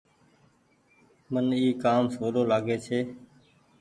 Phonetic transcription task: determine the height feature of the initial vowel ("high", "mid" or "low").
mid